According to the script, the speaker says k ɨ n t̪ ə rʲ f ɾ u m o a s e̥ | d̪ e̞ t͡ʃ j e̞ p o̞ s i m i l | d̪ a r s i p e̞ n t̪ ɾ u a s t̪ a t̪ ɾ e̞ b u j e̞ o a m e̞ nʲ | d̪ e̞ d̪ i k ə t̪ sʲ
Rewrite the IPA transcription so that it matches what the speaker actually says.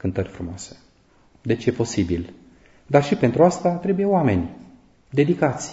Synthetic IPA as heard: k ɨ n t̪ ə rʲ f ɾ u m o a s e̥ | d̪ e̞ t͡ʃ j e̞ p o̞ s i b i l | d̪ a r ʃ i p e̞ n t̪ ɾ u a s t̪ a t̪ ɾ e̞ b u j e̞ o a m e̞ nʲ | d̪ e̞ d̪ i k a t̪ sʲ